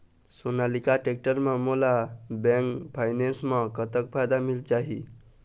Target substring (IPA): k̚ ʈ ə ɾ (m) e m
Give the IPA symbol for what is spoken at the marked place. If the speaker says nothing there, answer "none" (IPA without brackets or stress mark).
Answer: m